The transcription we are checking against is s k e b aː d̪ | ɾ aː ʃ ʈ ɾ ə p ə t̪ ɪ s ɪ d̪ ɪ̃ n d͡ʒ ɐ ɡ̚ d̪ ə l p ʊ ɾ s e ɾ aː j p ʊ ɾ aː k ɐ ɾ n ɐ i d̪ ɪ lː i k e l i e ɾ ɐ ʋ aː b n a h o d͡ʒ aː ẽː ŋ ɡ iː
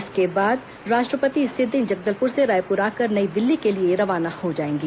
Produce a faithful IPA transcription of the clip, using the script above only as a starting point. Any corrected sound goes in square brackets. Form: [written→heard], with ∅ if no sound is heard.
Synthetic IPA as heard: s k e b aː d̪ | ɾ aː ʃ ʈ ɾ ə p ə t̪ [ɪ→i] s ɪ d̪ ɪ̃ n d͡ʒ ɐ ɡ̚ d̪ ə l p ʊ ɾ s e ɾ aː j p ʊ ɾ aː k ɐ ɾ n ɐ i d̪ ɪ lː i k e l i e ɾ ɐ ʋ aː [b→∅] n a h o d͡ʒ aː ẽː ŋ ɡ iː

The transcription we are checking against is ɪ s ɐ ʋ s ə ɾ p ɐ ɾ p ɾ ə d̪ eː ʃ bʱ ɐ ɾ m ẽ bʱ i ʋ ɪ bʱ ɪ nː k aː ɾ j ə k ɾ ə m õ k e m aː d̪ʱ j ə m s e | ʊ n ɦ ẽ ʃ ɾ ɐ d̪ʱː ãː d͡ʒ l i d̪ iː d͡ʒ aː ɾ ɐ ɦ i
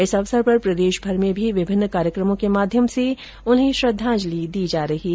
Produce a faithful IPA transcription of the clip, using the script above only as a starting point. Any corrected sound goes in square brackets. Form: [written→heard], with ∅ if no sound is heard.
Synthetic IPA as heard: ɪ s ɐ ʋ s ə ɾ p ɐ ɾ p ɾ [ə→ɐ] d̪ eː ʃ bʱ ɐ ɾ m ẽ bʱ i ʋ ɪ bʱ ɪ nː k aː ɾ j ə k ɾ ə m õ k e m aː d̪ʱ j ə m s e | ʊ n ɦ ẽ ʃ ɾ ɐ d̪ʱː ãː d͡ʒ l i d̪ iː d͡ʒ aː ɾ ɐ ɦ i

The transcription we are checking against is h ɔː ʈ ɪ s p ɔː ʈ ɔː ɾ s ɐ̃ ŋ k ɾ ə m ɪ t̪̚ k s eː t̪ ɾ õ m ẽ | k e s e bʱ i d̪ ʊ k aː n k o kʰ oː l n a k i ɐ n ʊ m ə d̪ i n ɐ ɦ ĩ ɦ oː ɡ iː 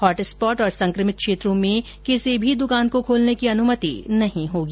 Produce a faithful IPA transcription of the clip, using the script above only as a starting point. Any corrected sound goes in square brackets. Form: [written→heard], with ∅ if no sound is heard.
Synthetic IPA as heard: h ɔː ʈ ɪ s p ɔː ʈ ɔː ɾ s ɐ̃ ŋ k ɾ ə m ɪ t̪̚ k [s→ʃ] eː t̪ ɾ õ m ẽ | k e s e bʱ i d̪ ʊ k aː n k o kʰ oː l n [a→e] k i ɐ n ʊ m ə [d̪→t̪] i n ɐ ɦ ĩ ɦ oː ɡ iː

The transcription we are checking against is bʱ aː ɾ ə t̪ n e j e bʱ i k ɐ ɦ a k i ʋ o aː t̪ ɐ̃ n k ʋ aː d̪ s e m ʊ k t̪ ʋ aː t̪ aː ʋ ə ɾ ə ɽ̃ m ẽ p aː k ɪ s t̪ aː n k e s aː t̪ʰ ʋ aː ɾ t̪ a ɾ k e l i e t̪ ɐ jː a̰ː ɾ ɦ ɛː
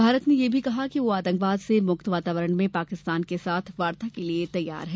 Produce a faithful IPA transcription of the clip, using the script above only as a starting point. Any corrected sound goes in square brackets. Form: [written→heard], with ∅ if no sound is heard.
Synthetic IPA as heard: bʱ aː ɾ ə t̪ n e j e bʱ i k ɐ ɦ a k i ʋ o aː t̪ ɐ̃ [n→ŋ] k ʋ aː d̪ s e m ʊ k t̪ ʋ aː t̪ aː ʋ ə ɾ ə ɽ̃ m ẽ p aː k ɪ s t̪ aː n k e s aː t̪ʰ ʋ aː ɾ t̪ a [ɾ→∅] k e l i e t̪ ɐ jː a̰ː ɾ ɦ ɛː

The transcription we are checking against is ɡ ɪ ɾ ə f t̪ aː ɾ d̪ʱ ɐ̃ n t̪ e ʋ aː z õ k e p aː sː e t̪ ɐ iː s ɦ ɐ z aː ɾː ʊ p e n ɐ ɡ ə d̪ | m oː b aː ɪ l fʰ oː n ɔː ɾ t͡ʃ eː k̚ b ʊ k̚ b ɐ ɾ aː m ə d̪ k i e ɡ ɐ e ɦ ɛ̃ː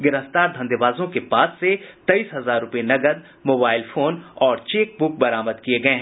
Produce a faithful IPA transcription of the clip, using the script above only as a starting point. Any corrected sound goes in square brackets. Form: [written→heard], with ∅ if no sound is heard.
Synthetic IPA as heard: ɡ ɪ ɾ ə f t̪ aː ɾ d̪ʱ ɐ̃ n [t̪→d̪] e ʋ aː z õ k e p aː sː e t̪ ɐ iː s ɦ ɐ z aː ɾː ʊ p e n ɐ ɡ ə d̪ | m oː b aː ɪ l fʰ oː n ɔː ɾ t͡ʃ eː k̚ b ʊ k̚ b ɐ ɾ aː m ə d̪ k i e ɡ ɐ e ɦ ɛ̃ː

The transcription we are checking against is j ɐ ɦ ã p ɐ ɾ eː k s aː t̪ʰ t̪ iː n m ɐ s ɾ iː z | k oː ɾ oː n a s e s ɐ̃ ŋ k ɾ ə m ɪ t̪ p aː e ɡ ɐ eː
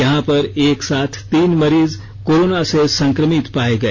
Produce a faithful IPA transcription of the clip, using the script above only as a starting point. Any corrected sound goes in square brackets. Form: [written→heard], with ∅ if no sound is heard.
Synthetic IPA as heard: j ɐ ɦ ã p ɐ ɾ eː k s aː t̪ʰ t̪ iː n m ɐ [s→∅] ɾ iː z | k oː ɾ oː n a s e s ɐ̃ ŋ k ɾ ə m ɪ t̪ p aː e ɡ ɐ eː

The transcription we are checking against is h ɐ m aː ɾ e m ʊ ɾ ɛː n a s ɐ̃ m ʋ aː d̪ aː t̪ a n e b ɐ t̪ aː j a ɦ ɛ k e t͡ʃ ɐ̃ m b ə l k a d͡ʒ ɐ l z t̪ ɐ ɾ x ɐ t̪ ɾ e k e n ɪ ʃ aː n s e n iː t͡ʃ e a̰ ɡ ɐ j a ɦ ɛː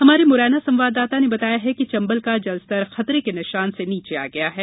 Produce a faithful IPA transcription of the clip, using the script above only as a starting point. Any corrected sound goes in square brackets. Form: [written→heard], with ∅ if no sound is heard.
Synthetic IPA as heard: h ɐ m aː ɾ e m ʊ ɾ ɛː n a s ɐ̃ m ʋ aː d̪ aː t̪ a n e b ɐ t̪ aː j a ɦ ɛ k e t͡ʃ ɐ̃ m b ə l k a d͡ʒ ɐ l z t̪ ɐ ɾ x ɐ t̪ ɾ e k e n ɪ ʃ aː n s e n iː t͡ʃ e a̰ ɡ ɐ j a ɦ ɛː

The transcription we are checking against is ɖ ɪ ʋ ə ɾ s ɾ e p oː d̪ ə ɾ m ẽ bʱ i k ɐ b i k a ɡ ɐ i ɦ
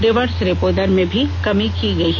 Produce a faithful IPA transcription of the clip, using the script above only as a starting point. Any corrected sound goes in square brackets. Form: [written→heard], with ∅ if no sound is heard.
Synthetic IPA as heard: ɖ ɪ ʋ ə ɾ s ɾ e p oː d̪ ə ɾ m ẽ bʱ i k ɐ [b→m] i k [a→i] ɡ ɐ i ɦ

